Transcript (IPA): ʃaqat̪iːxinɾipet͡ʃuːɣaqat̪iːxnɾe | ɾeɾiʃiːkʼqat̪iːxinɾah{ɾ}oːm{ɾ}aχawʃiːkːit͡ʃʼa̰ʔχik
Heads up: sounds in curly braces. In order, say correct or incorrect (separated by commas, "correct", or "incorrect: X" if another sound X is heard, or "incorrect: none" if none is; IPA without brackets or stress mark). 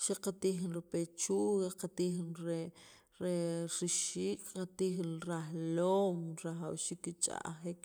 incorrect: l, correct